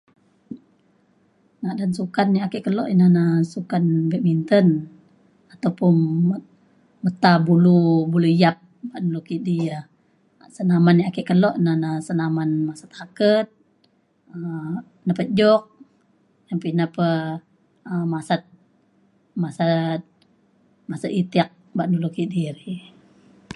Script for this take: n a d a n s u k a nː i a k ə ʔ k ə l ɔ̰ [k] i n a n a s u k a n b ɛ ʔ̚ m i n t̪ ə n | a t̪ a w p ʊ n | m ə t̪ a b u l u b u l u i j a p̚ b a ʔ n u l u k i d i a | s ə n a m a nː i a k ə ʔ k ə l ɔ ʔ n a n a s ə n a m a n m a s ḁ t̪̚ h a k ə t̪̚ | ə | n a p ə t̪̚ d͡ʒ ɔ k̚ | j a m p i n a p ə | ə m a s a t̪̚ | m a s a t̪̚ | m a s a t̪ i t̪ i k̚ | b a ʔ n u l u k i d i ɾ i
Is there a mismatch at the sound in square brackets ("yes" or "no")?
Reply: yes